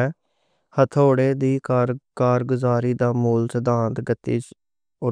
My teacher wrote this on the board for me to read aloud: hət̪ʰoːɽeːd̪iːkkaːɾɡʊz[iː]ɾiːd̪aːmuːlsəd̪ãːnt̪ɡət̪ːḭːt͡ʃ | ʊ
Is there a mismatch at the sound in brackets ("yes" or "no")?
yes